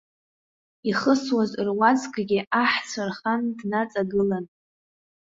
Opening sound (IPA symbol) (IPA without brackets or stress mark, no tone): i